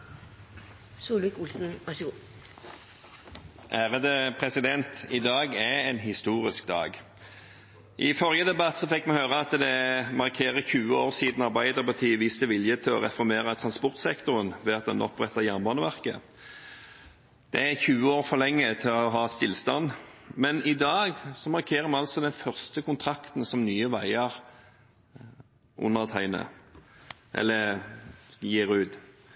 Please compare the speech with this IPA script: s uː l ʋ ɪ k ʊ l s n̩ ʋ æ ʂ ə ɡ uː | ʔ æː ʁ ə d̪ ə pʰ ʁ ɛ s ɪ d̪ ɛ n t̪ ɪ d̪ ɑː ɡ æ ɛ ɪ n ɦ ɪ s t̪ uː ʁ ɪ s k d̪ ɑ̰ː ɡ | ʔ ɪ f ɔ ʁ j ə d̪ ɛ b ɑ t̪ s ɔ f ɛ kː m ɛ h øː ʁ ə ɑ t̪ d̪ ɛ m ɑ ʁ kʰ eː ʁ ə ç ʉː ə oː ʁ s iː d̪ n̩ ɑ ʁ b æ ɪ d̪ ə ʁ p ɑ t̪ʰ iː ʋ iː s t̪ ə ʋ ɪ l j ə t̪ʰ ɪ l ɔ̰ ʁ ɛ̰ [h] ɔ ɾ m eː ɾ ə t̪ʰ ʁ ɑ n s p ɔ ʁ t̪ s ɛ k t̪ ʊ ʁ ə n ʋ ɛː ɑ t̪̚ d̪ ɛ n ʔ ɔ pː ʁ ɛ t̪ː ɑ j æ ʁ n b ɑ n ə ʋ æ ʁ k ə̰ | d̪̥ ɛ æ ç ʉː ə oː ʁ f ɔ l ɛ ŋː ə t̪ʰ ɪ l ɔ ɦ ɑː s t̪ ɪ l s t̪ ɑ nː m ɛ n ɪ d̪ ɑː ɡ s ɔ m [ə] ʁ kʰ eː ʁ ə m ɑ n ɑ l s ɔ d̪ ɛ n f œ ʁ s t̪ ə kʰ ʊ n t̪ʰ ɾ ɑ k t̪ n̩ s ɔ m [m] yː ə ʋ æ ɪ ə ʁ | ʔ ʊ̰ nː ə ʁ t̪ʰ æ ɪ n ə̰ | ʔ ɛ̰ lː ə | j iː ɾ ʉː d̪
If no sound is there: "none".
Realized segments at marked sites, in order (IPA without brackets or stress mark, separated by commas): f, ɑ, n